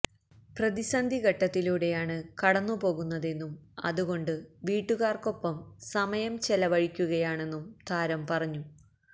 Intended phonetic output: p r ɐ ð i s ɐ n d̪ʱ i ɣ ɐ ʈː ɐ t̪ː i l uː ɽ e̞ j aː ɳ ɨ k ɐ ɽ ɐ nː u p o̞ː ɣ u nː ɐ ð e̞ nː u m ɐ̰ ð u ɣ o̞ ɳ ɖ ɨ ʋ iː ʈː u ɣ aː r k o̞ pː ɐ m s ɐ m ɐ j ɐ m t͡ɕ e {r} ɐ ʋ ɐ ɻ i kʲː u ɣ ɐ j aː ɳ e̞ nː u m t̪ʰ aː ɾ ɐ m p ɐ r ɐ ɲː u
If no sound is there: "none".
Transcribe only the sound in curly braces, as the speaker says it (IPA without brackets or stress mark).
l